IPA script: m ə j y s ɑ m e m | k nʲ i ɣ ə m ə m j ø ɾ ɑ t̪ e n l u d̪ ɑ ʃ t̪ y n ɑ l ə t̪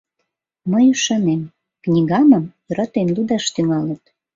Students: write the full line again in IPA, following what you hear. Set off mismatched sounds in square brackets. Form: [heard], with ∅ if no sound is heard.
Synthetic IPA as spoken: m ə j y [ʃ] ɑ [n] e m | k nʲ i ɣ [ɑ] m ə m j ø ɾ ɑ t̪ e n l u d̪ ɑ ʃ t̪ y [ŋ] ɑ l ə t̪